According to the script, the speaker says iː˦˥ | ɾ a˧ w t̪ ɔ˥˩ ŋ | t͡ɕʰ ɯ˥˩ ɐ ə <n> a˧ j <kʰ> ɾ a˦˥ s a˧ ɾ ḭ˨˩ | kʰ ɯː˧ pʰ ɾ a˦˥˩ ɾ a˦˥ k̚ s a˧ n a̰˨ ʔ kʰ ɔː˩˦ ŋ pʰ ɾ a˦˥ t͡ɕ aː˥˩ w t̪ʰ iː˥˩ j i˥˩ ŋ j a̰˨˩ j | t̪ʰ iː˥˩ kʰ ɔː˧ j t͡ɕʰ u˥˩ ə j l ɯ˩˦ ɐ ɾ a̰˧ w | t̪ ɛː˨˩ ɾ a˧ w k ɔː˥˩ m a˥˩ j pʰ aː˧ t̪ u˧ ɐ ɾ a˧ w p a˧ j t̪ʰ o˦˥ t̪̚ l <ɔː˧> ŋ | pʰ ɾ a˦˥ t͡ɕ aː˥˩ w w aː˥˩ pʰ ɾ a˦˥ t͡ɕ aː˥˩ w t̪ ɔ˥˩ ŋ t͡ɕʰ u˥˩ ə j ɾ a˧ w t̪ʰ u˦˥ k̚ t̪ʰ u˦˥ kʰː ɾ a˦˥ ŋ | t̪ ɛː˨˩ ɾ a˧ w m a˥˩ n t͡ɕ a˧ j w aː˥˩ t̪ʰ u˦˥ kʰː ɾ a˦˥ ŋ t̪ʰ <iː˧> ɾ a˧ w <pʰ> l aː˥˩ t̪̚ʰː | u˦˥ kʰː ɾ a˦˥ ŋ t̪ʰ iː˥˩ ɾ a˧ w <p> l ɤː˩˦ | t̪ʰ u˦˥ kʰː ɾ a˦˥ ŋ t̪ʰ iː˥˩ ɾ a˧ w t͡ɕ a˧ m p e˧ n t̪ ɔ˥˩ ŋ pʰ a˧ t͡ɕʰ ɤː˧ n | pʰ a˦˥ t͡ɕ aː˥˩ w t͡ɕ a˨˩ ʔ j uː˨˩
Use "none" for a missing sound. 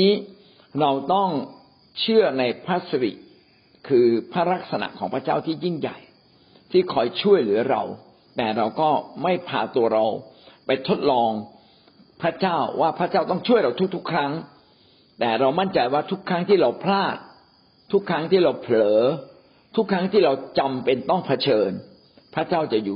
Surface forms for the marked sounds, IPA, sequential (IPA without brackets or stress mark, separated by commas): n, pʰ, ɔː˧, iː˥˩, pʰ, pʰ